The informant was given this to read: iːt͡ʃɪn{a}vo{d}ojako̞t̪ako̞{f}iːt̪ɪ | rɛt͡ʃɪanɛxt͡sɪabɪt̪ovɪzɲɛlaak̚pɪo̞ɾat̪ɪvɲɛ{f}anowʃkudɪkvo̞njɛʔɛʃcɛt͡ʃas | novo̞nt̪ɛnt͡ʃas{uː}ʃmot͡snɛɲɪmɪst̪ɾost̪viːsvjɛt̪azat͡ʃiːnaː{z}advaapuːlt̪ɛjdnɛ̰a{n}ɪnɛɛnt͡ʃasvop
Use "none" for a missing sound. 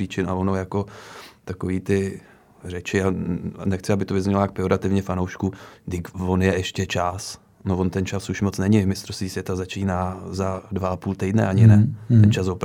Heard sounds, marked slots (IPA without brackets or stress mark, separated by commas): a, n, v, f, u, z, ɲ